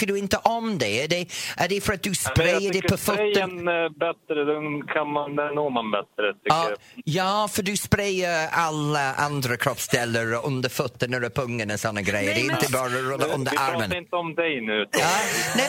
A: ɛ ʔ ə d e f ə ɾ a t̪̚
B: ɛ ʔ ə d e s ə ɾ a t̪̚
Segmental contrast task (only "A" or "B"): A